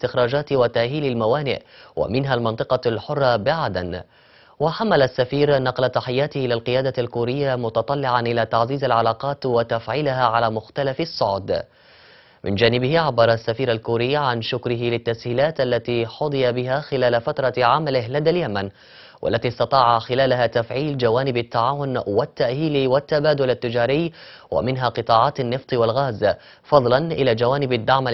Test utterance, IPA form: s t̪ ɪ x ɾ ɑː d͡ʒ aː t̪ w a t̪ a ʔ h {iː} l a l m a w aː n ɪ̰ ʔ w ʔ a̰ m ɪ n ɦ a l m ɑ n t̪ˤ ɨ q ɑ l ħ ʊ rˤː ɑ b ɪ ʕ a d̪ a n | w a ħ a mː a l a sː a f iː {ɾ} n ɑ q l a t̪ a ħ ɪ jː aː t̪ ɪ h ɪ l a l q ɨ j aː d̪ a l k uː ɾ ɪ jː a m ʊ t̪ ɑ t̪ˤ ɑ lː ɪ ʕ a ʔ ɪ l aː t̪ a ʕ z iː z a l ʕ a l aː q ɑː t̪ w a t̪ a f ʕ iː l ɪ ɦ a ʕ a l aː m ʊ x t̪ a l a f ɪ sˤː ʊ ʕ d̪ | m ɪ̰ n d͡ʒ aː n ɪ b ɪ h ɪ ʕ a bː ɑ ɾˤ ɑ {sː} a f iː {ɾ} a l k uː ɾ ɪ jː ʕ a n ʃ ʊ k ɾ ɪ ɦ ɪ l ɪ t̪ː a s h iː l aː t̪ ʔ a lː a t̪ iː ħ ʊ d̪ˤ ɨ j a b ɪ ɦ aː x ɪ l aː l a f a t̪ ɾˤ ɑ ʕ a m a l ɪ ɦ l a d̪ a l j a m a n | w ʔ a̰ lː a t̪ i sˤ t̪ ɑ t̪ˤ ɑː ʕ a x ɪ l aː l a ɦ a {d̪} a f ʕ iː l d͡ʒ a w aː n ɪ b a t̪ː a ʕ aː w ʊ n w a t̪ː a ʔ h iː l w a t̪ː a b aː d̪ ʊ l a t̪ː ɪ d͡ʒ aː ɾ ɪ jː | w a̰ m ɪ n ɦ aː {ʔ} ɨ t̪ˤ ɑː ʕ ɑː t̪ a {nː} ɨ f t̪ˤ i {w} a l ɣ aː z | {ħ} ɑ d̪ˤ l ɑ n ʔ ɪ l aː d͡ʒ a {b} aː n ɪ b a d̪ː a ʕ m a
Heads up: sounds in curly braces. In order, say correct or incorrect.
correct, correct, correct, correct, incorrect: t̪, incorrect: q, correct, correct, incorrect: f, incorrect: w

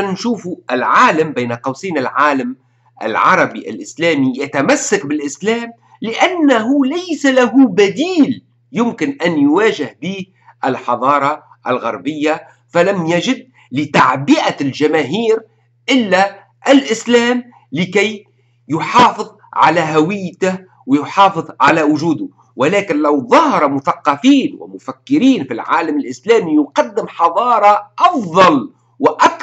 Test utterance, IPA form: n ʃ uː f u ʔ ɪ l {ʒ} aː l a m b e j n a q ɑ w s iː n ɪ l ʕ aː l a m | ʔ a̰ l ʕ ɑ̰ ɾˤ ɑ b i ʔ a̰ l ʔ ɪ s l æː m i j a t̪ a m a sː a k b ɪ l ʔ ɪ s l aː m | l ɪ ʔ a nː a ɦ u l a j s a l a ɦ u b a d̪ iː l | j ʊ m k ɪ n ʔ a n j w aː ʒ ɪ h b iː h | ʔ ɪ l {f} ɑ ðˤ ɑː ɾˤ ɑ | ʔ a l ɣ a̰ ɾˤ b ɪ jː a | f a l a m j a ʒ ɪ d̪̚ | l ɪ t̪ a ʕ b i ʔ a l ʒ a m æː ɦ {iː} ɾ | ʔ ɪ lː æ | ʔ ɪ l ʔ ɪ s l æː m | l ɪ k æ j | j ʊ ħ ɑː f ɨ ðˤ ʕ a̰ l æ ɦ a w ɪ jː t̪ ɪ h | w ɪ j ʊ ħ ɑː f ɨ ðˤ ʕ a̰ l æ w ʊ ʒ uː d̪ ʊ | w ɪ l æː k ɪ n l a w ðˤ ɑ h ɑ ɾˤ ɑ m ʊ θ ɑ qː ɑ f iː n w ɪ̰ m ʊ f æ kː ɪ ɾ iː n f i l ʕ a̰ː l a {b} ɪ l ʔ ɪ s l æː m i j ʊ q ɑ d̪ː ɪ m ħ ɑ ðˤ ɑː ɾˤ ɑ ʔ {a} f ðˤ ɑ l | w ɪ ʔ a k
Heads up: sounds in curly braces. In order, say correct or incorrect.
incorrect: ʕ, incorrect: ħ, correct, incorrect: m, incorrect: ɑ

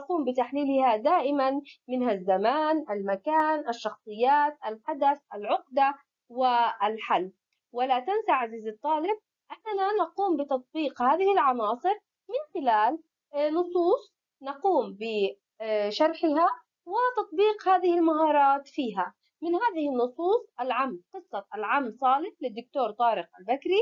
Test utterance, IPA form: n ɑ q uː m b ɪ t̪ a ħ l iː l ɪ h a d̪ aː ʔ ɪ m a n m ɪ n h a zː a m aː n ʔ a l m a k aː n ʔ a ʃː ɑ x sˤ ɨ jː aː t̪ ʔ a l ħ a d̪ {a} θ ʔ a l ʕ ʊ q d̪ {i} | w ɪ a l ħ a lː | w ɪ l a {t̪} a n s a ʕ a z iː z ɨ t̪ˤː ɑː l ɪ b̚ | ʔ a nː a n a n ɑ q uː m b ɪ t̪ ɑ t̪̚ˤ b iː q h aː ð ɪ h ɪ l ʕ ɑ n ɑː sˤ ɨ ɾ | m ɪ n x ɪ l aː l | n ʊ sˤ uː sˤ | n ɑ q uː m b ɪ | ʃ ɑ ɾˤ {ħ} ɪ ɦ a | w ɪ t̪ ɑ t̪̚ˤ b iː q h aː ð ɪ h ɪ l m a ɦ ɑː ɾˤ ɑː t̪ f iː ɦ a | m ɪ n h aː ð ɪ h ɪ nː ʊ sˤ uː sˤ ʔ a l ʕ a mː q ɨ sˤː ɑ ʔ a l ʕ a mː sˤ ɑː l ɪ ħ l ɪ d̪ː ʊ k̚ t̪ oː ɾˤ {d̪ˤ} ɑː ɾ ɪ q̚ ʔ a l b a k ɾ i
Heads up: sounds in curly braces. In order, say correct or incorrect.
correct, incorrect: a, correct, correct, incorrect: t̪ˤ

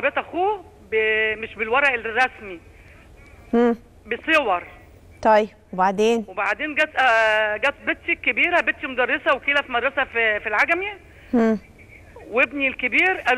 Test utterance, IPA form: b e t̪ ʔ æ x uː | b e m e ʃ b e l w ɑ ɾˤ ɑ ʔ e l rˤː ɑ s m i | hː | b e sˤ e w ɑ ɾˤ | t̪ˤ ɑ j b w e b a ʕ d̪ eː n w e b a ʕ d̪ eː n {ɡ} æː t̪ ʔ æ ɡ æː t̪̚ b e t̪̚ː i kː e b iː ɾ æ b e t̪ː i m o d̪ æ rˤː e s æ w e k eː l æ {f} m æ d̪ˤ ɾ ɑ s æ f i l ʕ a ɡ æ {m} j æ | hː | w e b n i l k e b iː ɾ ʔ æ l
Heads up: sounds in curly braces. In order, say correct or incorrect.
correct, correct, correct

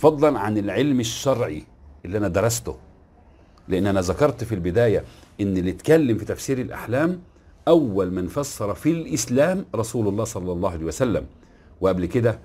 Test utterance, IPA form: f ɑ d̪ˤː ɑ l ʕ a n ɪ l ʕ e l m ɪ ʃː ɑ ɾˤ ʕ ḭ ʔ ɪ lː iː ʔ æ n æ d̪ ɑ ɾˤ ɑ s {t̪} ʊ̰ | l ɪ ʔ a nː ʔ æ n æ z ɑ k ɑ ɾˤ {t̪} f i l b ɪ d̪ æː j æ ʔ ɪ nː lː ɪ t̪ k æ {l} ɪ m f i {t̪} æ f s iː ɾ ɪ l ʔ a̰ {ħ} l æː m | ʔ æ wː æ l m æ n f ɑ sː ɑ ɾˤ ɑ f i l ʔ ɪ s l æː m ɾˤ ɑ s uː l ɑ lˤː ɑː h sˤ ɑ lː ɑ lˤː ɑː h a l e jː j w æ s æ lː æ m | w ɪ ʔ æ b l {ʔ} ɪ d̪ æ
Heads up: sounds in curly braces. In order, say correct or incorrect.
correct, correct, incorrect: lː, correct, correct, incorrect: k

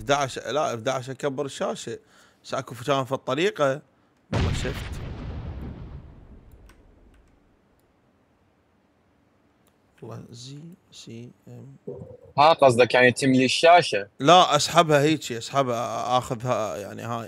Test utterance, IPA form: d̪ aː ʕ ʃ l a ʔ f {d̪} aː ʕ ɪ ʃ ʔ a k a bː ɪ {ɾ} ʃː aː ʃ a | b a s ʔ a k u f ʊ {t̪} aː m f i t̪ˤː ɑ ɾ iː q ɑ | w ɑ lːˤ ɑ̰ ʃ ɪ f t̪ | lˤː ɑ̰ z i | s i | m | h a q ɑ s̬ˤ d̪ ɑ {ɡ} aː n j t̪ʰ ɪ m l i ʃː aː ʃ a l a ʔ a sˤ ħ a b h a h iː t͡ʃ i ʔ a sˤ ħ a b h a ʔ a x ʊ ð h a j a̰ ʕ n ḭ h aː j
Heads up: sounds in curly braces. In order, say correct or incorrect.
correct, correct, correct, incorrect: k

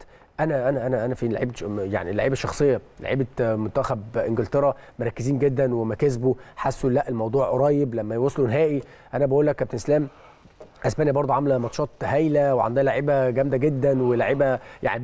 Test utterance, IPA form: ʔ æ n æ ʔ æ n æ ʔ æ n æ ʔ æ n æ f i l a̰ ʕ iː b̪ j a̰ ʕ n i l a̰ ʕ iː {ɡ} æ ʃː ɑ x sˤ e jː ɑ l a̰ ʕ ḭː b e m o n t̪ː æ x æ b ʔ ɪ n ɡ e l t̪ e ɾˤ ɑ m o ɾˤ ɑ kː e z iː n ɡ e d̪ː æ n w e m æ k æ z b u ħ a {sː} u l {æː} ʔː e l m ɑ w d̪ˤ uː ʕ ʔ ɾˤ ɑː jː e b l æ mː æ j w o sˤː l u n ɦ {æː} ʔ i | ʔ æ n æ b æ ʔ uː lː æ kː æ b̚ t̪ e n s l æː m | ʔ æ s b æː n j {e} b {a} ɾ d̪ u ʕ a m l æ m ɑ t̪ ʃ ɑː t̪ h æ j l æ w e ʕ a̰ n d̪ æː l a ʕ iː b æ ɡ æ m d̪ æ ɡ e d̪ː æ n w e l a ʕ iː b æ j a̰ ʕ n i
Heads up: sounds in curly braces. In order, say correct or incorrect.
incorrect: b, correct, incorrect: æ, correct, incorrect: æ, incorrect: ɑ

